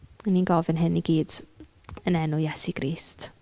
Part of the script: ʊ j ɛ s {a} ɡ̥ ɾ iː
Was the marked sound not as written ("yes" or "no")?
yes